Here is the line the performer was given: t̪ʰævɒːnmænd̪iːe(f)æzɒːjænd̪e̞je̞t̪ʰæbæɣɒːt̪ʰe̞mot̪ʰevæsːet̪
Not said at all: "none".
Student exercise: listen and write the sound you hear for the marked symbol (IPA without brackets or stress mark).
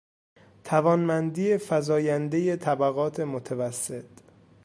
f